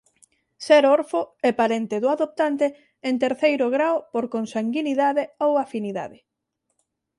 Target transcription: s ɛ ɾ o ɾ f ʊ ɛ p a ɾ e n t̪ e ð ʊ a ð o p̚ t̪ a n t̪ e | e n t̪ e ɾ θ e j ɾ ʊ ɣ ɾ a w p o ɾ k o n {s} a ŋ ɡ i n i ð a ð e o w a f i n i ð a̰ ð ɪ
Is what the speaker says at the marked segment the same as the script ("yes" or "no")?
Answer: yes